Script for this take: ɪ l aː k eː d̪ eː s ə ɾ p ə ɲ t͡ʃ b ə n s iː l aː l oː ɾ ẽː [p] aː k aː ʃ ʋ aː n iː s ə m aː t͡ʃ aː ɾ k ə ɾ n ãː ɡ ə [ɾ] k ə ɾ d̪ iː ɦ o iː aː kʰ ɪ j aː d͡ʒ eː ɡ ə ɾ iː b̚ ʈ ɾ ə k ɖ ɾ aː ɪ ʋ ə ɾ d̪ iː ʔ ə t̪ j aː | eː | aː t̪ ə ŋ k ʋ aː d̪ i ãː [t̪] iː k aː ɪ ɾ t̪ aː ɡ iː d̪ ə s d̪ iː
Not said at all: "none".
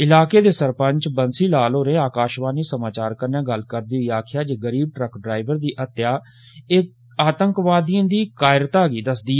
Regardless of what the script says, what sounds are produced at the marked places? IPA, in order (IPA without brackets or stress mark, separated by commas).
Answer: none, l, d̪